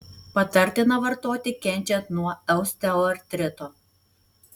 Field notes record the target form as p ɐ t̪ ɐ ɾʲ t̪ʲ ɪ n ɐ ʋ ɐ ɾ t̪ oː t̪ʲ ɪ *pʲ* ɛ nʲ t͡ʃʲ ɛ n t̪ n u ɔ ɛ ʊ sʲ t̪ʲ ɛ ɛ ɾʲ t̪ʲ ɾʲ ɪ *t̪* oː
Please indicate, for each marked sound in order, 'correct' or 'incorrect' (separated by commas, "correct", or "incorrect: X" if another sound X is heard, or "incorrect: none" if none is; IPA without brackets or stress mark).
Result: incorrect: kʲ, correct